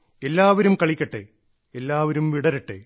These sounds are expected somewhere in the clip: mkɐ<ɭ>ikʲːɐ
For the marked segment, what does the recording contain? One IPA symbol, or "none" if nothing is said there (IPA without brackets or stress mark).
ɭ